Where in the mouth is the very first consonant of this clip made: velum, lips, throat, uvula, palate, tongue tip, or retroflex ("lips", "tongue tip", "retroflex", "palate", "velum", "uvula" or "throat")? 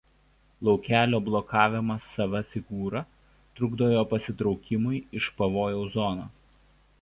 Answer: tongue tip